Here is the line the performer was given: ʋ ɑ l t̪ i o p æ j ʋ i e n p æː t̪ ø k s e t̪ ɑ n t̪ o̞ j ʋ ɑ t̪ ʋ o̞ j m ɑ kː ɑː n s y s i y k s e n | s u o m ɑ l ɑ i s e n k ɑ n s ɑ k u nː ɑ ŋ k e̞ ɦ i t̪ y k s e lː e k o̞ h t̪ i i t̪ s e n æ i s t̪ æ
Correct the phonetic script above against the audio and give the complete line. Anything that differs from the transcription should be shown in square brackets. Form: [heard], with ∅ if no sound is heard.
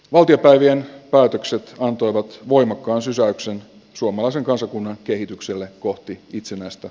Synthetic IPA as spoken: ʋ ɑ l t̪ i o p æ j ʋ i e n p æː t̪ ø k s e t̪ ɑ n t̪ o̞ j ʋ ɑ t̪ ʋ o̞ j m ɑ kː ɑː n s y s [æ] y k s e n | s u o m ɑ l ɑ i s e [ŋ] k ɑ n s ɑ k u nː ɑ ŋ k e̞ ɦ i t̪ y k s e lː e k o̞ h t̪ i i t̪ s e n æ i s t̪ æ